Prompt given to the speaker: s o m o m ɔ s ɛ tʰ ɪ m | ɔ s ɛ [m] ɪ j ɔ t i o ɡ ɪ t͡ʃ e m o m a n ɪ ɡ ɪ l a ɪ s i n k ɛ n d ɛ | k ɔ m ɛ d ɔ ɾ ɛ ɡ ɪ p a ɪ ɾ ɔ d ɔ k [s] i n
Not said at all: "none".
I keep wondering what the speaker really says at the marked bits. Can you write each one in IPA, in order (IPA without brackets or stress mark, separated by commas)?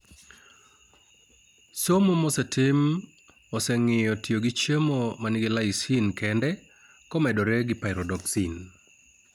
ŋ, s